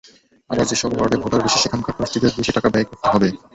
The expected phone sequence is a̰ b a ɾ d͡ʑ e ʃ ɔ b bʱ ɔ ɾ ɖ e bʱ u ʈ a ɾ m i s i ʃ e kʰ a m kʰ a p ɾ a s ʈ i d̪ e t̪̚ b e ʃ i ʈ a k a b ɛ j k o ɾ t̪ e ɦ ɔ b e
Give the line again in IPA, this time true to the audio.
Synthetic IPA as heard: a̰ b a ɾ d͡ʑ e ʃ ɔ b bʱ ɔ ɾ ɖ e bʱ o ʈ a ɾ b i ʃ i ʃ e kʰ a m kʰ a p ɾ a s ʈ i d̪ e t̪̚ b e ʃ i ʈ a k a b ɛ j k o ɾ t̪ e ɦ ɔ b e